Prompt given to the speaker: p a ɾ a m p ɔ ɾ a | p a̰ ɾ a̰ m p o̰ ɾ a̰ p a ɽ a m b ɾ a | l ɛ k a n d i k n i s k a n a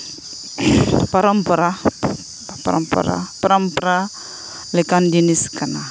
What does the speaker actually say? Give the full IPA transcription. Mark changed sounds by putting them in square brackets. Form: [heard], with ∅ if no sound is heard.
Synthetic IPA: p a ɾ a m p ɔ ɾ a | p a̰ ɾ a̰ m p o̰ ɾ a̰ p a [ɾ] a m [p] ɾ a | l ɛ k a n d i [∅] n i s k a n a

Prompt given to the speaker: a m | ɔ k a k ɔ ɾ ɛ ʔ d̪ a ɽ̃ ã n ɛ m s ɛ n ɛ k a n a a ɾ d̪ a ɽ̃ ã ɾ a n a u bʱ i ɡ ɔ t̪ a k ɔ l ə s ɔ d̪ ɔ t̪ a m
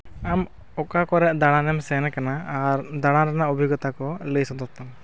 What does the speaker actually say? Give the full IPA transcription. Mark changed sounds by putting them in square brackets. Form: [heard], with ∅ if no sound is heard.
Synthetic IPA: a m | ɔ k a k ɔ ɾ ɛ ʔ d̪ a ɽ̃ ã n ɛ m s ɛ n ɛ k a n a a ɾ d̪ a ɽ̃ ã ɾ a n a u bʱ i ɡ ɔ t̪ a k ɔ l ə s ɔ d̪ ɔ t̪ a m

